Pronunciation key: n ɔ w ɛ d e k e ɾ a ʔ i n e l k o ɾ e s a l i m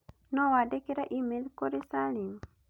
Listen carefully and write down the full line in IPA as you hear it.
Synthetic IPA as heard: n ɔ w a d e k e ɾ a ʔ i m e l k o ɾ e s a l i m